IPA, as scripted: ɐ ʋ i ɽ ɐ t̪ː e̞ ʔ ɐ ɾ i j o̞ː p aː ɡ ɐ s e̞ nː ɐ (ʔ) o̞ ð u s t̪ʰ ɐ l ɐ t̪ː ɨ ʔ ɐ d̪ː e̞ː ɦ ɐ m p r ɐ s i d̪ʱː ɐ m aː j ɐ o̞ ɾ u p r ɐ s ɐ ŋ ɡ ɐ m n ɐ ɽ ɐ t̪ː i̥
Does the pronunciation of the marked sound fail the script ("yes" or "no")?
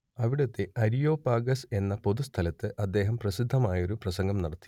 yes